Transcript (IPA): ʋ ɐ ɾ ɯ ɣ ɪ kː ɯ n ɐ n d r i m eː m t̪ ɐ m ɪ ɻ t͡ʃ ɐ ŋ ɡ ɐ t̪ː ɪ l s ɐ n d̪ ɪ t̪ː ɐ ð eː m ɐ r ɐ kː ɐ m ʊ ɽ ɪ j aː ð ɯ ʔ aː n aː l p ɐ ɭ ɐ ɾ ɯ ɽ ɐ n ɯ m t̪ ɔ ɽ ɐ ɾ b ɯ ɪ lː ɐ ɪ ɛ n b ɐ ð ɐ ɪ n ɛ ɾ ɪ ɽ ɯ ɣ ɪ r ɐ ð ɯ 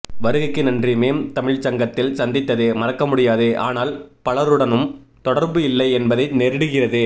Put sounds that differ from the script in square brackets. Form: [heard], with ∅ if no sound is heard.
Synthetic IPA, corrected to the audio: ʋ ɐ ɾ ɯ ɣ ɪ kː ɯ n ɐ n d r i m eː m t̪ ɐ m ɪ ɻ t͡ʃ ɐ ŋ ɡ ɐ t̪ː ɪ l s ɐ n d̪ ɪ t̪ː ɐ ð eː m ɐ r ɐ kː ɐ m ʊ ɽ ɪ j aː ð ɯ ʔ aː n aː l p ɐ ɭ ɐ ɾ ɯ ɽ ɐ n ɯ m t̪ ɔ ɽ ɐ ɾ b ɯ ɪ lː ɐ ɪ ɛ n b ɐ ð ɐ ɪ n ɛ ɾ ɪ ɽ ɯ ɣ ɪ r ɐ ð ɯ